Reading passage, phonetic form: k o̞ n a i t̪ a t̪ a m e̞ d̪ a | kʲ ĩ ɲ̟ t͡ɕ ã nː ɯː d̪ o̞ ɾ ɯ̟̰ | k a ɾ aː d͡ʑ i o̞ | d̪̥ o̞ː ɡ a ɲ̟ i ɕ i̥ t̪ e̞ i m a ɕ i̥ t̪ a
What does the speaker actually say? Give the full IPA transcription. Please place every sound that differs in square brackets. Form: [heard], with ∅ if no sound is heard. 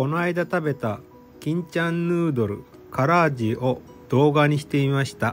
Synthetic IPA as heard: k o̞ n a i [d̪] a t̪ a [b] e̞ [t̪] a | kʲ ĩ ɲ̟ t͡ɕ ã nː ɯː d̪ o̞ ɾ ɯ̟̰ | k a ɾ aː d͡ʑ i o̞ | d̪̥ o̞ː ɡ a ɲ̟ i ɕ i̥ t̪ e̞ i m a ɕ i̥ t̪ a